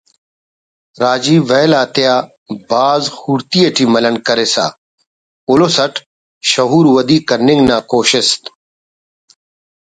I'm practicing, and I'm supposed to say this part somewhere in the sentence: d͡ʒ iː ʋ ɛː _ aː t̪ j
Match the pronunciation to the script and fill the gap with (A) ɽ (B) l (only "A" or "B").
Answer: B